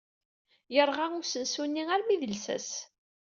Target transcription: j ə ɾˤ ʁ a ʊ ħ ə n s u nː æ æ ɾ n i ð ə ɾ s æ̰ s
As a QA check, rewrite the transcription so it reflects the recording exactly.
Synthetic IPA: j ə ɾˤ ʁ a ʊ s ə n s u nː i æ ɾ m i ð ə l s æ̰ s